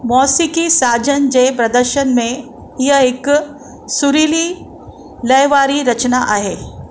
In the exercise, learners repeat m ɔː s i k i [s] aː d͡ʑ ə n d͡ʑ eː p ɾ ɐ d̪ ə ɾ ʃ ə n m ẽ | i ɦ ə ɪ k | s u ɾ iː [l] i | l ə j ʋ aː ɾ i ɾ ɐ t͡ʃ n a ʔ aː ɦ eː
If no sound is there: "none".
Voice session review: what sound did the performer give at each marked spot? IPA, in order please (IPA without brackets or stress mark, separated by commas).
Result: s, l